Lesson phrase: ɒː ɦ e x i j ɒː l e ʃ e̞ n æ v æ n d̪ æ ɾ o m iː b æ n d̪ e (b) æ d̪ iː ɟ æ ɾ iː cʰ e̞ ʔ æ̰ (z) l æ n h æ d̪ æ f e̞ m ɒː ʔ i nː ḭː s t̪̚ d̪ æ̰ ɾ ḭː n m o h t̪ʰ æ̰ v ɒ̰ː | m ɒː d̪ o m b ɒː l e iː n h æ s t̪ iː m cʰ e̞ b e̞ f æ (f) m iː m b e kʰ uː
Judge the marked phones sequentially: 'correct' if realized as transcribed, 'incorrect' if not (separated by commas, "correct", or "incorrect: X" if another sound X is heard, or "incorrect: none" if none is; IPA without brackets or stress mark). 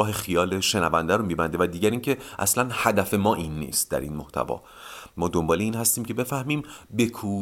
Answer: incorrect: v, incorrect: s, incorrect: h